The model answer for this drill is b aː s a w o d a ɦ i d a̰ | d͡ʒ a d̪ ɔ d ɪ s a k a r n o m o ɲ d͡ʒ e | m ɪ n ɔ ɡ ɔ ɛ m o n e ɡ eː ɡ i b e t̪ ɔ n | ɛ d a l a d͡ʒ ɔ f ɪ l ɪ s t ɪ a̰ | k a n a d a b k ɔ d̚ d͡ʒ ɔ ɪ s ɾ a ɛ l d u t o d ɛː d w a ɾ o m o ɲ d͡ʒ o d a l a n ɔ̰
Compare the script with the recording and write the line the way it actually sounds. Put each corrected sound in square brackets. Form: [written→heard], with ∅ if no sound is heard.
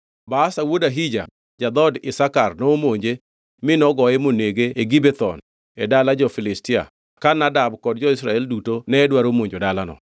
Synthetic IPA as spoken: b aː s a w o d a ɦ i [d→d͡ʒ] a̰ | d͡ʒ a d̪ ɔ d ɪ s a k a r n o m o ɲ d͡ʒ e | m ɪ n ɔ ɡ ɔ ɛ m o n e ɡ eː ɡ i b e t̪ ɔ n | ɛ d a l a d͡ʒ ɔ f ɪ l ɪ s t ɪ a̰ | k a n a d a b k ɔ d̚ d͡ʒ ɔ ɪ s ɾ a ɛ l d u t o [d→n] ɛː d w a ɾ o m o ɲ d͡ʒ o d a l a n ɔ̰